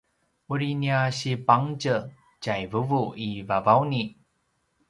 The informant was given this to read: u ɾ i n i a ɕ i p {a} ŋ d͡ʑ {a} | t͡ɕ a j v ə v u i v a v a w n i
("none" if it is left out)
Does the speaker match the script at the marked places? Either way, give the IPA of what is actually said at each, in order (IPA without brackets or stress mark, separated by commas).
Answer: a, ə